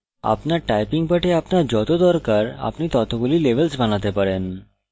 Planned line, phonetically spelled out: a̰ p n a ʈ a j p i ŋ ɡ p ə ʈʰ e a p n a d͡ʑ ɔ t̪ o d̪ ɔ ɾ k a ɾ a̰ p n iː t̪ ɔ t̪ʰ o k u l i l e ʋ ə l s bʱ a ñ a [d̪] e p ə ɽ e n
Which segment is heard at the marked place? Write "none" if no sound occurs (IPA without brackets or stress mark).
t̪